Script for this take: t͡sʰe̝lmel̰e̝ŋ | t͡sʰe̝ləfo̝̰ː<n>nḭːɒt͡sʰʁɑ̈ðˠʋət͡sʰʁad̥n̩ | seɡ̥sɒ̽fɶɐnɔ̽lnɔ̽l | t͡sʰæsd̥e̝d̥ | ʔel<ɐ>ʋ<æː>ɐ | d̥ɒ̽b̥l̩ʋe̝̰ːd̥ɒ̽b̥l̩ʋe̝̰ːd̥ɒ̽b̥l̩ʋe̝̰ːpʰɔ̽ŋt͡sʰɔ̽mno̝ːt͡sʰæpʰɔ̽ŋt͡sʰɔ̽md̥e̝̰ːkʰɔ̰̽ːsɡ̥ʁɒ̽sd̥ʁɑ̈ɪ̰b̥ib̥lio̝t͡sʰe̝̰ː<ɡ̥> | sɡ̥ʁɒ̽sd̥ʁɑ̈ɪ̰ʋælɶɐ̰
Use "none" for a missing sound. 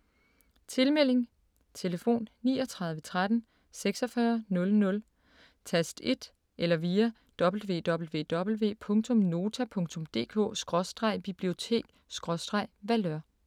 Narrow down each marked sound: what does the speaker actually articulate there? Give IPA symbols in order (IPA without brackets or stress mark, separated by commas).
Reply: n, ɐ, iː, ɡ̥